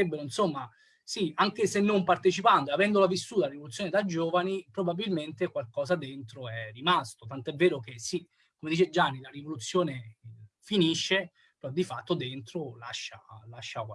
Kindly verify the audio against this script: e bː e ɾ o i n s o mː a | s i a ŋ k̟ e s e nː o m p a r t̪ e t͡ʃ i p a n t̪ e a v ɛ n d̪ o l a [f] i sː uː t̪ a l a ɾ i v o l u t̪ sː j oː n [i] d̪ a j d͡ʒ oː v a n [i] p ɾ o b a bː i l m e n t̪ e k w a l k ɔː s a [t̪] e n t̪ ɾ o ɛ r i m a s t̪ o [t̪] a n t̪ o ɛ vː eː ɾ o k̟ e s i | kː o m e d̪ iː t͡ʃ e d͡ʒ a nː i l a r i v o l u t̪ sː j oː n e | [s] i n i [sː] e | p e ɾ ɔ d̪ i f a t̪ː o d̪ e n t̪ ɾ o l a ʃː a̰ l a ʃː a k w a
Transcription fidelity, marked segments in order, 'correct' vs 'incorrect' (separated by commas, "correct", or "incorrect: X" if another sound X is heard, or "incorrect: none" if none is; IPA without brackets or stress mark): incorrect: v, incorrect: e, correct, incorrect: d̪, correct, incorrect: f, incorrect: ʃː